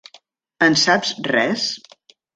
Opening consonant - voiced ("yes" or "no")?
yes